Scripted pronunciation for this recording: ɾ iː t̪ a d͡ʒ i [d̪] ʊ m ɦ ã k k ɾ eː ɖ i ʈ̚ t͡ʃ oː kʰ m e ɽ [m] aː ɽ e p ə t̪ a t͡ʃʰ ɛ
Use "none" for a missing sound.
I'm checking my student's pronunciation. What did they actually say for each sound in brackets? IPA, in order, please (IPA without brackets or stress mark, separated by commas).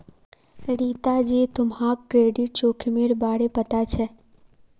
t̪, b